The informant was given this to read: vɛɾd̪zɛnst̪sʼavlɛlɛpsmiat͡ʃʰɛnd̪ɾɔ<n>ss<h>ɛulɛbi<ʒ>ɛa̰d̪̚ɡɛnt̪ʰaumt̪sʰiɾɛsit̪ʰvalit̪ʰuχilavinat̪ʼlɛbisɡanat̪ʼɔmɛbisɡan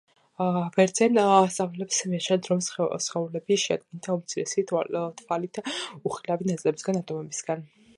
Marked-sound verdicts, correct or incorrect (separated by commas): incorrect, incorrect, incorrect